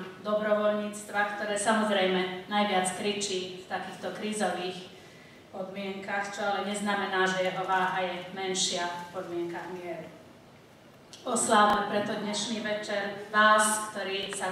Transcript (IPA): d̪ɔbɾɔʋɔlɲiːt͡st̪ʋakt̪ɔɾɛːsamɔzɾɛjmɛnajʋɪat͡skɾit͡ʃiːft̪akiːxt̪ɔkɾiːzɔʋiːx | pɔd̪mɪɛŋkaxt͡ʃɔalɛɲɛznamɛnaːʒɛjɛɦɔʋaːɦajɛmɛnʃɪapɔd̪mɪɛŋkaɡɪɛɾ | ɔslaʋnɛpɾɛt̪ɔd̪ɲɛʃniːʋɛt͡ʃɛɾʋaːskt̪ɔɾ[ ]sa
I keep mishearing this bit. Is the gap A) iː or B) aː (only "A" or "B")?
A